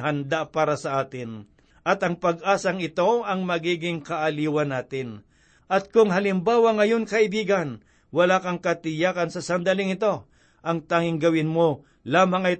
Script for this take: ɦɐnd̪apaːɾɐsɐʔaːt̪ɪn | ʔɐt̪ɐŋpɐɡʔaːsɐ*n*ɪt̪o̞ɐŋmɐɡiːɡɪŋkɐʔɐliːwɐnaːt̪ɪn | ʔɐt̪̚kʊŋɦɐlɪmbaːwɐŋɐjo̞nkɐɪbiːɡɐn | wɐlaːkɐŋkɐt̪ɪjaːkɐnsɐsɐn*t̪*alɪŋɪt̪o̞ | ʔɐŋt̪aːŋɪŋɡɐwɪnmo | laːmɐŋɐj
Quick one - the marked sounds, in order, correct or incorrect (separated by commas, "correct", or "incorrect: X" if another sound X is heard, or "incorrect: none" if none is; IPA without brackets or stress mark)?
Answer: incorrect: ŋ, incorrect: d̪